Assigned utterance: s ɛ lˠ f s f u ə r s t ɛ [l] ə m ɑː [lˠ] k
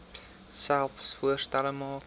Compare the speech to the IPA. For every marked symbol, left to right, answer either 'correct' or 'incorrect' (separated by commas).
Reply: correct, incorrect